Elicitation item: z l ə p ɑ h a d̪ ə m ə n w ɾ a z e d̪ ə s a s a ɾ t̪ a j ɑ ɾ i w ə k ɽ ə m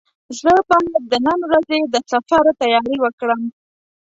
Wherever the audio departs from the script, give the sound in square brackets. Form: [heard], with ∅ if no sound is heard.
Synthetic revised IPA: z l ə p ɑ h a d̪ ə [n] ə n w ɾ a z e d̪ ə s a [f] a ɾ t̪ a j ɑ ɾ i w ə k ɽ ə m